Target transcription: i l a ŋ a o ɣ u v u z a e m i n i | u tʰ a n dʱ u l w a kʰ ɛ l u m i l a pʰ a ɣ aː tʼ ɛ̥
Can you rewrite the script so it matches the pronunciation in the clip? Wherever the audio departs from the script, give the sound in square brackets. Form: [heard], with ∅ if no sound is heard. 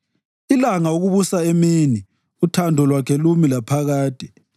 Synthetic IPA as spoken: i l a ŋ a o ɣ u [β] u [s] a e m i n i | u tʰ a n dʱ [ɔ] l w a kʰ ɛ l u m i l a pʰ a ɣ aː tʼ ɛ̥